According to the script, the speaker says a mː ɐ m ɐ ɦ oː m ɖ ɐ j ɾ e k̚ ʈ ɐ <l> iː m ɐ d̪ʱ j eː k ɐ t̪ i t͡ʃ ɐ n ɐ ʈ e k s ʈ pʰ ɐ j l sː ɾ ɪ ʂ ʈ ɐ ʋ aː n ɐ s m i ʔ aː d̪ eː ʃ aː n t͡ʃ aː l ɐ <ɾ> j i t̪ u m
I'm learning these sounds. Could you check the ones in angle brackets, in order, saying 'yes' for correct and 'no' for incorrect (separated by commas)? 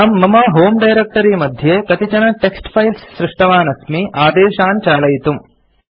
no, no